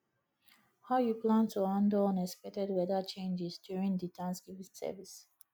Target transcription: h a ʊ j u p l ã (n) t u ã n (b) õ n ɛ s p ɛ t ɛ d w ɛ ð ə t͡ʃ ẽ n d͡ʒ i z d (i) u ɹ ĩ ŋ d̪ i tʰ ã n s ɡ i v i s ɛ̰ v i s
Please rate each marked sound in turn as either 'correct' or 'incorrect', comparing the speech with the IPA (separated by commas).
correct, incorrect, incorrect